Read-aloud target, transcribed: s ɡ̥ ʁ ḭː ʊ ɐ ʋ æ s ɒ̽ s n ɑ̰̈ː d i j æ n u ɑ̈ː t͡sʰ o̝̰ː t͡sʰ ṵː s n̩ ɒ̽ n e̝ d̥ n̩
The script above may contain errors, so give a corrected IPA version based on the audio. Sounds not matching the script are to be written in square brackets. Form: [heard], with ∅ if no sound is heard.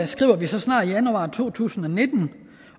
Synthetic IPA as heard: s ɡ̥ ʁ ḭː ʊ ɐ ʋ [i] s ɒ̽ s n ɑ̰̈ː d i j æ n u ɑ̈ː t͡sʰ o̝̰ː t͡sʰ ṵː s n̩ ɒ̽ n e̝ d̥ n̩